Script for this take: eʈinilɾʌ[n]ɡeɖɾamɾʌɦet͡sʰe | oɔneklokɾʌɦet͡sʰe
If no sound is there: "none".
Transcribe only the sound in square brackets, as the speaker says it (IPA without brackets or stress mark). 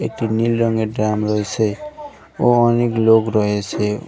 ŋ